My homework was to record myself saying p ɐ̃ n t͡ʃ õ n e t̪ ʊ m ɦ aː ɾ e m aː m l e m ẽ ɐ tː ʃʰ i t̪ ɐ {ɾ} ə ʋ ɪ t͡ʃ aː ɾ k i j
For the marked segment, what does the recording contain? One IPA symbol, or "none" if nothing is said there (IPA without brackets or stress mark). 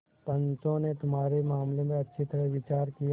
ɾ